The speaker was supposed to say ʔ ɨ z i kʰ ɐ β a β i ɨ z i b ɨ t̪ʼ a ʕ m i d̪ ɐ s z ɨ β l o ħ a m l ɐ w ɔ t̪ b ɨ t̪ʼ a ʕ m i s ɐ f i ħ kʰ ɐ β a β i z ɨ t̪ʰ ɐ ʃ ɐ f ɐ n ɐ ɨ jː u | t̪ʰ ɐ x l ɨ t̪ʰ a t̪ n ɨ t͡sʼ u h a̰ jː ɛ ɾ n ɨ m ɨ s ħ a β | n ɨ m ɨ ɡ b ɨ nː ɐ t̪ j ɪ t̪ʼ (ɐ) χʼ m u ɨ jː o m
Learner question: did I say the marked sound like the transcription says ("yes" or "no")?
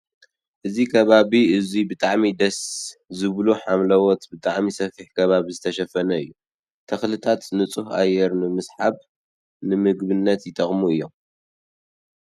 yes